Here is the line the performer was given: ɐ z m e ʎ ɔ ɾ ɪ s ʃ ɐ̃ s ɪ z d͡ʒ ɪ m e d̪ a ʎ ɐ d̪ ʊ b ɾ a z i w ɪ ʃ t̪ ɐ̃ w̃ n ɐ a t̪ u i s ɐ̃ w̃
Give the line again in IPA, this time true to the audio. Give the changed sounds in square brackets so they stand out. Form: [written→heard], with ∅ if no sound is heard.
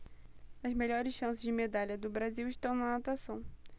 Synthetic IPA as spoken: ɐ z m e ʎ ɔ ɾ ɪ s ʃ ɐ̃ s ɪ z d͡ʒ ɪ m e d̪ a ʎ ɐ d̪ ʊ b ɾ a z i w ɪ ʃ t̪ ɐ̃ w̃ n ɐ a t̪ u [i→a] s ɐ̃ w̃